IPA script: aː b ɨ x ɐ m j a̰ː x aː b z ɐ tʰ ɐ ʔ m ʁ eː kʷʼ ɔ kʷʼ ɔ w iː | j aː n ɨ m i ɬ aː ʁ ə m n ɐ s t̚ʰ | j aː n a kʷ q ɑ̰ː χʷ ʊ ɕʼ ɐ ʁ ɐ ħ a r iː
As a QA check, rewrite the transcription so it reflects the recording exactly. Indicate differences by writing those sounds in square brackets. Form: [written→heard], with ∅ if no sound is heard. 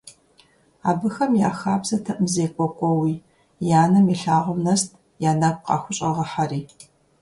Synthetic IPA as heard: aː b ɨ x ɐ m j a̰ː x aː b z ɐ tʰ ɐ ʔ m [ʁ→z] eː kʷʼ ɔ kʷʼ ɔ w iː | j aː n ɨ m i ɬ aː ʁ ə m n ɐ s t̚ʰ | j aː n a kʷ q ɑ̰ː [χʷ→xʷ] ʊ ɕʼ ɐ ʁ ɐ ħ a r iː